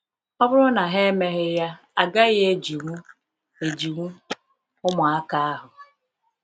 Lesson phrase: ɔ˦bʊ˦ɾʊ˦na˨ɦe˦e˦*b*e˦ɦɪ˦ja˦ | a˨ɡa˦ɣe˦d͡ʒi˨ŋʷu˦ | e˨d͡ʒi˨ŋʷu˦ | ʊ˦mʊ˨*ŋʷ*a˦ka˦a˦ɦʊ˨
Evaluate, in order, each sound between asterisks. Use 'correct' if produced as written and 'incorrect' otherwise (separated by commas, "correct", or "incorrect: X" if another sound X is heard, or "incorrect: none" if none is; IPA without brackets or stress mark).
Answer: incorrect: m, incorrect: none